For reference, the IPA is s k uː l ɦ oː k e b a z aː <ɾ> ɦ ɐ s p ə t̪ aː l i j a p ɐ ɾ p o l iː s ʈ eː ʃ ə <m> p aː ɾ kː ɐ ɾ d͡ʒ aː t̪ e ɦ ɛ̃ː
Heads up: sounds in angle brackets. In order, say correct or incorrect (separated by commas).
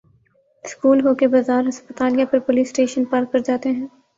correct, incorrect